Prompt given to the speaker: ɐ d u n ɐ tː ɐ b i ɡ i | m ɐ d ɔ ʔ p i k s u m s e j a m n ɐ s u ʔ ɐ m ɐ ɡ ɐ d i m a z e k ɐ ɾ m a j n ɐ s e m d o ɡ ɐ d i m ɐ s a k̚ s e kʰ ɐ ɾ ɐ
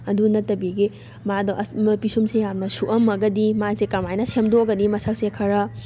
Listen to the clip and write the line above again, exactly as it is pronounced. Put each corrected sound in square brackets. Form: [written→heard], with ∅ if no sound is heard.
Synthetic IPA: ɐ d u n ɐ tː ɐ b i ɡ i | m [ɐ→a] d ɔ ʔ p i [k→∅] s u m s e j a m n ɐ s u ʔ ɐ m ɐ ɡ ɐ d i m a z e k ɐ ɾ m a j n ɐ s e m d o ɡ ɐ d i m ɐ s a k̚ s e kʰ ɐ ɾ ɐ